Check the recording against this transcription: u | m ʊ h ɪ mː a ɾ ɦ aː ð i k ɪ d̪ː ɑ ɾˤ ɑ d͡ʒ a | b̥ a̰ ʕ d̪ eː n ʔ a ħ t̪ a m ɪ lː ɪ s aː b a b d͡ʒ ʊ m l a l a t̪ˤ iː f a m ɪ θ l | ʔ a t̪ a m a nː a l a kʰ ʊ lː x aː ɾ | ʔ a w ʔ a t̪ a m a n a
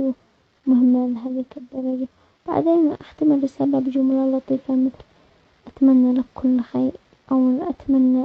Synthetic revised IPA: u | m ʊ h ɪ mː a l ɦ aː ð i k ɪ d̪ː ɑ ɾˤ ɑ d͡ʒ a | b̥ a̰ ʕ d̪ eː n ʔ a ħ t̪ a m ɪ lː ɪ s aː b a b d͡ʒ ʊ m l a l ɑ t̪ˤ iː f a m ɪ θ l | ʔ a t̪ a m a nː a l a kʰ ʊ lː x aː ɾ | ʔ a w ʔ a t̪ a m a nː a

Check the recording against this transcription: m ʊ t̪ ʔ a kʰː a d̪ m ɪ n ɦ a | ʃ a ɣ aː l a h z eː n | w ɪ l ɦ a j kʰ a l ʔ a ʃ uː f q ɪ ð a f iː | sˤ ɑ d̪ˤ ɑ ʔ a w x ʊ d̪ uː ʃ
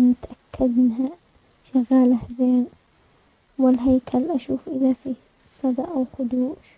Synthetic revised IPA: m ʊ t̪ ʔ a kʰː a d̪ m ɪ n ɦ a | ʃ a ɣ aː l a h z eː n | w ɪ l ɦ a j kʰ a l ʔ a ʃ uː f ʔ ɪ ð a f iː | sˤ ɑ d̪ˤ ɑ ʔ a w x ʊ d̪ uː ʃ

